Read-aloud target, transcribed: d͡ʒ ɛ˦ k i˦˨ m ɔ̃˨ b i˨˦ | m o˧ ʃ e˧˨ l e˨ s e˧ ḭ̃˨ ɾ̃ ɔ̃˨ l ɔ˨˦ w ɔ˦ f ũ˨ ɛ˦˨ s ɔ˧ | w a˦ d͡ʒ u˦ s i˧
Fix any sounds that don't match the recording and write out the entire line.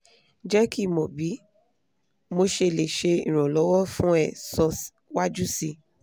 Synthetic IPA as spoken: d͡ʒ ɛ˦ k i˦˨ m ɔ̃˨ b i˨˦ | m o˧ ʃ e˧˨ l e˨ ʃ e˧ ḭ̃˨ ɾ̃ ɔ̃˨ l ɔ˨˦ w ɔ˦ f ũ˦ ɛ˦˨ s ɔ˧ | w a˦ d͡ʒ u˦ s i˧

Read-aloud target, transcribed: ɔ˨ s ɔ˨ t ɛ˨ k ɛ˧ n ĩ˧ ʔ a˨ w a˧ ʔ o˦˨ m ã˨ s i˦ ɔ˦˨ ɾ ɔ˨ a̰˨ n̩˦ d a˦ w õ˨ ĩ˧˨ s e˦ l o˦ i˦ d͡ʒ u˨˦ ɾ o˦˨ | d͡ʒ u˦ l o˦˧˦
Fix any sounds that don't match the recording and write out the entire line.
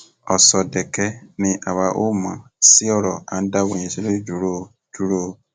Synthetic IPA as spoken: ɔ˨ s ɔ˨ d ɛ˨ k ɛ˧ n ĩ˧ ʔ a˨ w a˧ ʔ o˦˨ m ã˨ s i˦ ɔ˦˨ ɾ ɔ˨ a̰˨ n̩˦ d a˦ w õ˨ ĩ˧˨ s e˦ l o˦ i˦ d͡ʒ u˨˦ ɾ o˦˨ | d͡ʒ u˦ ɾ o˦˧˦

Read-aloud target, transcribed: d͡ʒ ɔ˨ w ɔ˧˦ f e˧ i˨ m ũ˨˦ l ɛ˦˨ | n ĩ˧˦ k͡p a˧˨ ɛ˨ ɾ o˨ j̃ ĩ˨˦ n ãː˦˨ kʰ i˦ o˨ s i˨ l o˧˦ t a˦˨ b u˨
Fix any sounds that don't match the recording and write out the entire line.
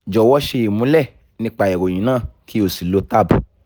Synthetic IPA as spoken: d͡ʒ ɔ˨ w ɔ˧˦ ʃ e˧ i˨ m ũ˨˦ l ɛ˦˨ | n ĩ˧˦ k͡p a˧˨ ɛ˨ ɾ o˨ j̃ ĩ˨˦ n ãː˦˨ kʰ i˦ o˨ s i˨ l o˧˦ t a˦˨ b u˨

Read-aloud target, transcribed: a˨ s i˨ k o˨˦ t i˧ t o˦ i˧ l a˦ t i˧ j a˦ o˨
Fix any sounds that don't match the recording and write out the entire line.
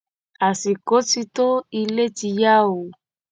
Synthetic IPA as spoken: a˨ s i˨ k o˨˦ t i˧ t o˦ i˧ l e˦ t i˧ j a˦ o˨

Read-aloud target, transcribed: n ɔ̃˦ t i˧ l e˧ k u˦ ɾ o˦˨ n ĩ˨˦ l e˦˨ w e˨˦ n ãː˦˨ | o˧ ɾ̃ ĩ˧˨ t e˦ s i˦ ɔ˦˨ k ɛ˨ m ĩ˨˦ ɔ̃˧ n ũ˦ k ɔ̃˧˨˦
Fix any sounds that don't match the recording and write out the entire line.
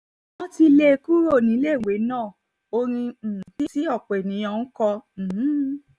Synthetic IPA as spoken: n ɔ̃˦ t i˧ l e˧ k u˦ ɾ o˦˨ n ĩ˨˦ l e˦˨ w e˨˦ n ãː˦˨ | o˧ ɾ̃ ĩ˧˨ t i˦ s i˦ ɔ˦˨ k͡p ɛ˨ n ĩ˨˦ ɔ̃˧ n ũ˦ k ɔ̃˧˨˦

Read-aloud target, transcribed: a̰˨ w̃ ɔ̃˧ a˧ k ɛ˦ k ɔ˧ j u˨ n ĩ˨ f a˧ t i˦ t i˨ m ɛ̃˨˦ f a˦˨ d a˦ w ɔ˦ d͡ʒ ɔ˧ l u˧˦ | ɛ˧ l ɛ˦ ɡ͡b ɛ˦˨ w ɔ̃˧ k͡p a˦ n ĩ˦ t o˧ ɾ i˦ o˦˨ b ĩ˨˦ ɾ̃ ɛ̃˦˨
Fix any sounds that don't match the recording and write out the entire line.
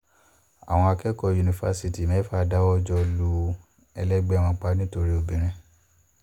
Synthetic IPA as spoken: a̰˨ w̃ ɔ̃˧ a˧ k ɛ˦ k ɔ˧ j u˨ n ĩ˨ f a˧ s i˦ t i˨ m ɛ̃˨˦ f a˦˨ d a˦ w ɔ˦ d͡ʒ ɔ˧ l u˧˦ | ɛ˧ l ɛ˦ ɡ͡b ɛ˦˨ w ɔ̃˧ k͡p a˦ n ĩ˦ t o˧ ɾ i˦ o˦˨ b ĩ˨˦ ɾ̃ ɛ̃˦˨

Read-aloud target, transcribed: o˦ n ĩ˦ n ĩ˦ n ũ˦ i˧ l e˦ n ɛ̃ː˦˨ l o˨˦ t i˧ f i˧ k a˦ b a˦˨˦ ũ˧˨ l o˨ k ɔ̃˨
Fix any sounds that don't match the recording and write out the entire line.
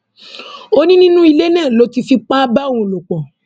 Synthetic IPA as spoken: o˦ n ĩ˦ n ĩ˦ n ũ˦ i˧ l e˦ n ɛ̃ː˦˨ l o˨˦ t i˧ f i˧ k͡p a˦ b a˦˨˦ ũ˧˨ l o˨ k͡p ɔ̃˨

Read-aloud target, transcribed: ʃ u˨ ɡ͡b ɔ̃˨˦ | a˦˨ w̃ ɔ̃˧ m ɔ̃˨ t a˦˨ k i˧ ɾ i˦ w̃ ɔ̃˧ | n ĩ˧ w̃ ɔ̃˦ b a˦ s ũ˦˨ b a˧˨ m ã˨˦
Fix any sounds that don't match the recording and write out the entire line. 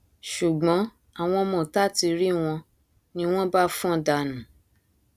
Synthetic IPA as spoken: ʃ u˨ ɡ͡b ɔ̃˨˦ | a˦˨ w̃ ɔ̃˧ m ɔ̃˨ t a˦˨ t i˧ ɾ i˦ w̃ ɔ̃˧ | n ĩ˧ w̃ ɔ̃˦ b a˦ f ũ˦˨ d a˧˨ n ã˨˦

